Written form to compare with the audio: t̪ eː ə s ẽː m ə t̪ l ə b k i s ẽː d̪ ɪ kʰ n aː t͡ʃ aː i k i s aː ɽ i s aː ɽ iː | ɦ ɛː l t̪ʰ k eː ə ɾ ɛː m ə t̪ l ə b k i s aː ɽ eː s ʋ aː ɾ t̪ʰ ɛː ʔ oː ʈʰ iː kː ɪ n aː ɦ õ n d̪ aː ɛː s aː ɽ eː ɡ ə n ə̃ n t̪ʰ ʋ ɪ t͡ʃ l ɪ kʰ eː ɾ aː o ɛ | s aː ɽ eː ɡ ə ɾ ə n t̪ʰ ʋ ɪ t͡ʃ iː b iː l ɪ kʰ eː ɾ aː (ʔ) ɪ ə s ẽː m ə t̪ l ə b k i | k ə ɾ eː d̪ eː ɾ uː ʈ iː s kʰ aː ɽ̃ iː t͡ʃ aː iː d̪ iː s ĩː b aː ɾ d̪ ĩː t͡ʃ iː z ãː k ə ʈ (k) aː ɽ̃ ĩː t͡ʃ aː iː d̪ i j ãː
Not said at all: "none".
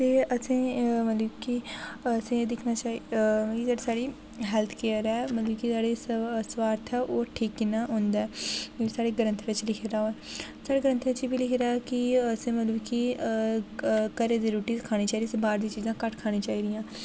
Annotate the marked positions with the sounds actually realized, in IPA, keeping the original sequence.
k, kʰ

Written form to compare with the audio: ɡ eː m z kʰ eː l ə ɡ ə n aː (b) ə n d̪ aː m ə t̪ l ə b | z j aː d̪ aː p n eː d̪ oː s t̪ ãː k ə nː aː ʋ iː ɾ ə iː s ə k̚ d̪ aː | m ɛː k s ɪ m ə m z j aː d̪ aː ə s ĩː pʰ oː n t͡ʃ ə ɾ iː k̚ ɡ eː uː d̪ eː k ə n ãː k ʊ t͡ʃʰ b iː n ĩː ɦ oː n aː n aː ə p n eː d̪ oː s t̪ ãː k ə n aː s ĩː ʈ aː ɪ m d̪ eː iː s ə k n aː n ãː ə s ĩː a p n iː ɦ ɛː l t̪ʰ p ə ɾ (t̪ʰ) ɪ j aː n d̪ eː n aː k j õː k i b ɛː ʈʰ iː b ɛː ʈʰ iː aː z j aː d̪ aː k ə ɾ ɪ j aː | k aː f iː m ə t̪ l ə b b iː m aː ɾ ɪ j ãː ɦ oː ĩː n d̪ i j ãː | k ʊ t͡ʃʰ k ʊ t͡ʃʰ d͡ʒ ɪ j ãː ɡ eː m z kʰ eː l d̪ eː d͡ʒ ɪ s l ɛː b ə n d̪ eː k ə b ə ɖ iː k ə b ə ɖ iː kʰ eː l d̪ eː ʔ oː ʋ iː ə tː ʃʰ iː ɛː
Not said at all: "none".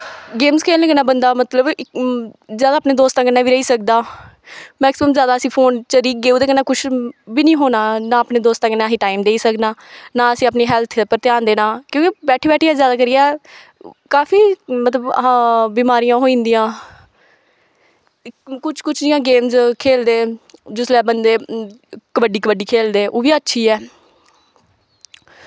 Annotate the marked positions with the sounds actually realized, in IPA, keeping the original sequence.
b, t̪

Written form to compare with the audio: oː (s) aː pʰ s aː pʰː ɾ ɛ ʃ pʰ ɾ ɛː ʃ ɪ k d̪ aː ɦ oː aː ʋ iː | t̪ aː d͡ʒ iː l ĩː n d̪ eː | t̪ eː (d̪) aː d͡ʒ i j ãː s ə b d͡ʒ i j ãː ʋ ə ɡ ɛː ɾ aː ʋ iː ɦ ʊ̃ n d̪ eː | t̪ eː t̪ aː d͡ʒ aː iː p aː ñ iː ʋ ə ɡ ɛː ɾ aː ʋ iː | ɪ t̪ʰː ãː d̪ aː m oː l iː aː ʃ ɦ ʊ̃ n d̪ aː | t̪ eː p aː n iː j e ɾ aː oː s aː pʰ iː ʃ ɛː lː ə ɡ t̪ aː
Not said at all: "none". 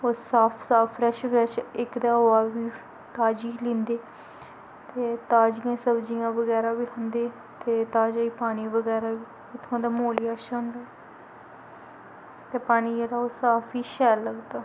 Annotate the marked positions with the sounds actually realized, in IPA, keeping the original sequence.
s, t̪

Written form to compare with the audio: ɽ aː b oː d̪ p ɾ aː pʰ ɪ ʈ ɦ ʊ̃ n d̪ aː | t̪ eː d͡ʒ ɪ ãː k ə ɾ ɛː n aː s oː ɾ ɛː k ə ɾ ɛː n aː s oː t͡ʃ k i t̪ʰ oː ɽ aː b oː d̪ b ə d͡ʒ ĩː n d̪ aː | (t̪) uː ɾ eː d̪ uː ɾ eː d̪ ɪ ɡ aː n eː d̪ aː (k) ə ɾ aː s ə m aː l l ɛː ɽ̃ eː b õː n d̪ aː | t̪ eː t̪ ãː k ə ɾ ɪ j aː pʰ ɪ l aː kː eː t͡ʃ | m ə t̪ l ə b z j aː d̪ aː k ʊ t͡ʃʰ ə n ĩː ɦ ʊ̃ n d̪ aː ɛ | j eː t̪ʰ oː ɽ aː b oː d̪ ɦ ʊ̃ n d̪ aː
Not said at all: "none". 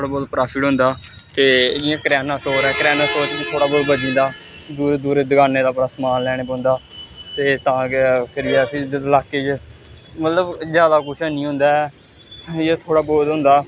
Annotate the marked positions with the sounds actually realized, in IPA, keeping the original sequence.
d̪, p

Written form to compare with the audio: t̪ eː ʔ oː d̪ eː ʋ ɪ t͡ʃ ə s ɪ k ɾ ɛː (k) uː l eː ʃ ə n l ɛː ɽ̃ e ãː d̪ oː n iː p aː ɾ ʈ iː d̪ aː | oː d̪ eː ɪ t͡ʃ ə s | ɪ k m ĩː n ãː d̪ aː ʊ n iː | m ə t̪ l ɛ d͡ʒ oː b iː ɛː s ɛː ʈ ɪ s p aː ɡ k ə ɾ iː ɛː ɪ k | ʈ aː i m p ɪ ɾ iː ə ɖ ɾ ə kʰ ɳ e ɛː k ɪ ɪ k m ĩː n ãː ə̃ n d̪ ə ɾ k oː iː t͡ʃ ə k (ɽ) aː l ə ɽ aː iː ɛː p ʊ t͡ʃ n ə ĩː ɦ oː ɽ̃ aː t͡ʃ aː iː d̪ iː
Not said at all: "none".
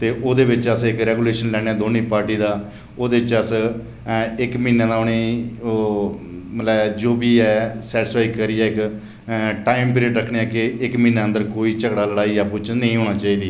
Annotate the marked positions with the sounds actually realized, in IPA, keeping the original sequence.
ɡ, ɽ

